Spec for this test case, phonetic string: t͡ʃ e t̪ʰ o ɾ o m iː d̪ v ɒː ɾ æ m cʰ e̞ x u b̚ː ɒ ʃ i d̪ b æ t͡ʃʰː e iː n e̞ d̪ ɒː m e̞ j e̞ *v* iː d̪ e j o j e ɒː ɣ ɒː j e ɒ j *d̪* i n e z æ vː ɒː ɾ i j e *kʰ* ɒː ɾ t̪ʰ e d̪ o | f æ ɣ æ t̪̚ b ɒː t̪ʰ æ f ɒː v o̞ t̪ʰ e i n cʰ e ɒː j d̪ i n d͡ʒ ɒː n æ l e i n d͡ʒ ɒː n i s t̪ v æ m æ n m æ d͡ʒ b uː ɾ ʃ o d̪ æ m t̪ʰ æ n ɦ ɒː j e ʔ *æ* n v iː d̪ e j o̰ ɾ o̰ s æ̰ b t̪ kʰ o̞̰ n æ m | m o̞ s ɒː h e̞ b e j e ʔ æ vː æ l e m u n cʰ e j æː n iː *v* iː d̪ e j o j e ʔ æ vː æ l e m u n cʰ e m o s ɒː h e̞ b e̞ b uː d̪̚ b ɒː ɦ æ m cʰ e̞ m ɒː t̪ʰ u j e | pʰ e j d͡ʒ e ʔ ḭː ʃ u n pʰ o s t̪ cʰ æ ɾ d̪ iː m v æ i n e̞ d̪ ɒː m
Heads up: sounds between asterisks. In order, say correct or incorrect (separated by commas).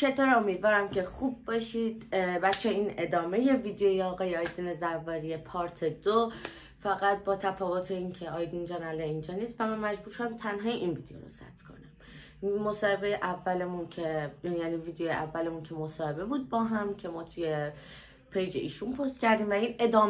correct, correct, incorrect, incorrect, correct